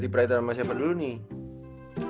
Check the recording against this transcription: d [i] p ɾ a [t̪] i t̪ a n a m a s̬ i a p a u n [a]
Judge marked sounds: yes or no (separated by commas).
yes, no, no